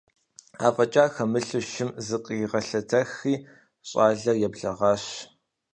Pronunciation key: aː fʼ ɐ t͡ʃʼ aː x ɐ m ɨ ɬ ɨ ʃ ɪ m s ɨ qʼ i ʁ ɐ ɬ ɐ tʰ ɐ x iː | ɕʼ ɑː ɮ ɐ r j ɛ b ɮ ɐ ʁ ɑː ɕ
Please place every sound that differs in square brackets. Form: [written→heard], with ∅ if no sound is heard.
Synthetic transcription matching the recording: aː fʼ ɐ t͡ʃʼ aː x ɐ m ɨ ɬ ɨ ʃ ɪ m [s→z] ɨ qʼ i ʁ ɐ ɬ ɐ tʰ ɐ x iː | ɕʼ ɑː ɮ ɐ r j ɛ b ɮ ɐ ʁ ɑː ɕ